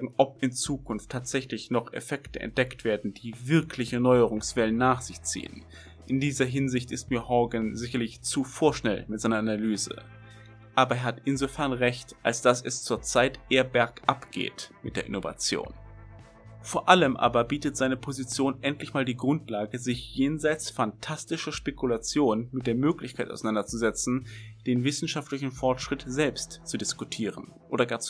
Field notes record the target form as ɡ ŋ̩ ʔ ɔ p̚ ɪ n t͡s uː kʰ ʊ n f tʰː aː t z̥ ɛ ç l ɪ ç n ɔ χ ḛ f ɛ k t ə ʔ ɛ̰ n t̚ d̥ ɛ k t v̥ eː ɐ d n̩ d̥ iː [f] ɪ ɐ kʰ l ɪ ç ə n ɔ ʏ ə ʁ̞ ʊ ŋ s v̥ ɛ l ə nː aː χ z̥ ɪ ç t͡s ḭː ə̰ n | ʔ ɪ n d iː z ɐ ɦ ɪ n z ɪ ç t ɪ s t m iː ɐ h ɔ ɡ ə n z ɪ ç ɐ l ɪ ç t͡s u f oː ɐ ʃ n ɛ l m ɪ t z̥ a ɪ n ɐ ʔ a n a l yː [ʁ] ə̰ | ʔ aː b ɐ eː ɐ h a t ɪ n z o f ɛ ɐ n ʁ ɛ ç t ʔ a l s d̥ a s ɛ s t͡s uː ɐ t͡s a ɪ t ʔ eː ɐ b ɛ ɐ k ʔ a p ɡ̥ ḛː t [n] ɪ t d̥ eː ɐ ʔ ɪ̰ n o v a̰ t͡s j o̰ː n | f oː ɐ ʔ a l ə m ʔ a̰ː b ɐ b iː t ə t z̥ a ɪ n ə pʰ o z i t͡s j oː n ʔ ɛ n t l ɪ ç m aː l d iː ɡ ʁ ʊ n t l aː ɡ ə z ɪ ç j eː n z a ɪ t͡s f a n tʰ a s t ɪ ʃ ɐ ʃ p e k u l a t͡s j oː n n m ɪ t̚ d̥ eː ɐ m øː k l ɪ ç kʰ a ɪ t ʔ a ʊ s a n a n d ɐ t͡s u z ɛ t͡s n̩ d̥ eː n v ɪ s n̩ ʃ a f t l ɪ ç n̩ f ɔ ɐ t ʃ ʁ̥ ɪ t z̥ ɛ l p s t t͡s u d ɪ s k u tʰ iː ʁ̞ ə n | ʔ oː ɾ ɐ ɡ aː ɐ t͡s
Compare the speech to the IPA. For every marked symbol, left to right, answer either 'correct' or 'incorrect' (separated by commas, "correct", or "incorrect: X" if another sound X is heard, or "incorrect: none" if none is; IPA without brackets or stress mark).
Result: incorrect: v, incorrect: z, incorrect: m